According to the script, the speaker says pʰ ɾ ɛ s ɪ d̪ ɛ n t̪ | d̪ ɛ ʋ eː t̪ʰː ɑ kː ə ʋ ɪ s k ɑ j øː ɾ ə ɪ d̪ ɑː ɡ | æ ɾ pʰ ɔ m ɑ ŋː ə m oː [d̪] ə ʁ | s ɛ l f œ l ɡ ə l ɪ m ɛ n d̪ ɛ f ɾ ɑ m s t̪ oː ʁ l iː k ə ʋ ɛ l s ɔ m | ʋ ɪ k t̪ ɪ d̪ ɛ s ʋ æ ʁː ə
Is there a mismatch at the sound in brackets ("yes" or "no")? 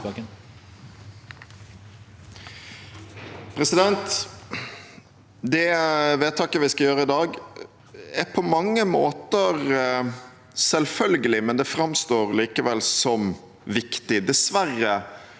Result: yes